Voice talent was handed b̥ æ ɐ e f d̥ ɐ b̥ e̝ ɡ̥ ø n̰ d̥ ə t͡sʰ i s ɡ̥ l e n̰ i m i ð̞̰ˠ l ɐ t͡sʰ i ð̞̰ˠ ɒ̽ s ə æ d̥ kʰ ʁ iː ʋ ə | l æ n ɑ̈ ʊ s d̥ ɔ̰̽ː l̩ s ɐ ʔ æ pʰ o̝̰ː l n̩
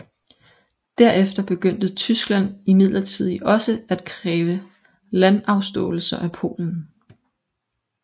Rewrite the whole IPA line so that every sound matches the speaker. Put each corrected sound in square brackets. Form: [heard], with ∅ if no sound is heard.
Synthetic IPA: [d̥] æ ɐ e f d̥ ɐ b̥ e̝ ɡ̥ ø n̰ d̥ ə t͡sʰ [y] s ɡ̥ l [æ] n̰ i m i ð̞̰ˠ l ɐ t͡sʰ i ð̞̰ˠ ɒ̽ s ə æ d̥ kʰ ʁ [ɛː] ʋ ə | l æ n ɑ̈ ʊ s d̥ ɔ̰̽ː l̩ s ɐ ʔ æ pʰ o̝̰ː l n̩